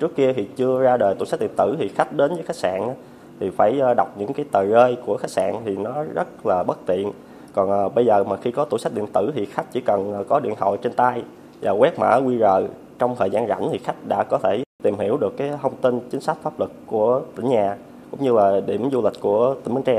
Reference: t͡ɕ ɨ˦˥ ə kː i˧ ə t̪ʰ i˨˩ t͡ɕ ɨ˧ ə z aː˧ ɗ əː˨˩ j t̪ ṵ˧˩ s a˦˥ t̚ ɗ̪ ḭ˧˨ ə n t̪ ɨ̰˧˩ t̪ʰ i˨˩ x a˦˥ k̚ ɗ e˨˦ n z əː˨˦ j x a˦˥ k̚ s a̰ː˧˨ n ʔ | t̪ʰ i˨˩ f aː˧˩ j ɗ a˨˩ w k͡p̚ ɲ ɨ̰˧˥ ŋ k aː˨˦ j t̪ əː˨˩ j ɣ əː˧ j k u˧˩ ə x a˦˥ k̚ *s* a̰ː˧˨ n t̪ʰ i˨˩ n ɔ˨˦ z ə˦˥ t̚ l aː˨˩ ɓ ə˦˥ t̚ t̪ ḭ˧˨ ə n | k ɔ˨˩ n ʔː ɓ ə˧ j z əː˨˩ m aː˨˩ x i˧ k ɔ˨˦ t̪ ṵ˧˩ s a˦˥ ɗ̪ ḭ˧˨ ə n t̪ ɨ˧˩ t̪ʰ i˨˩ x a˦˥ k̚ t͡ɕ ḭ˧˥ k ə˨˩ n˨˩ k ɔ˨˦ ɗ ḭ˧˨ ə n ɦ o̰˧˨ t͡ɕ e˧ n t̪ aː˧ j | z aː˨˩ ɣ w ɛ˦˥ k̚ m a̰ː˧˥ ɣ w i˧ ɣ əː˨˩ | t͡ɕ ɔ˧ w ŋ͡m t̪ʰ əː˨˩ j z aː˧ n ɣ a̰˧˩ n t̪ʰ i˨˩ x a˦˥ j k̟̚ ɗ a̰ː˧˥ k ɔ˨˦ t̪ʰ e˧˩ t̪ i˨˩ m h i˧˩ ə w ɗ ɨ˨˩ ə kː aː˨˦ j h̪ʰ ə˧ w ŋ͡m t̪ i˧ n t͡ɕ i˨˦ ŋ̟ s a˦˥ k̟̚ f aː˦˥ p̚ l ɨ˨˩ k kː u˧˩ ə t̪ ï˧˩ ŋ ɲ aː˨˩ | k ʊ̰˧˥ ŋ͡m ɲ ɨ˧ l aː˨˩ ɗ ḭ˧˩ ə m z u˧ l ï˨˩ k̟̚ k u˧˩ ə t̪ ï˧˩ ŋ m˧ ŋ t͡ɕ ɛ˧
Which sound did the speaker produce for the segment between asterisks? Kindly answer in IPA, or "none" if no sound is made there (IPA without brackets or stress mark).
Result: s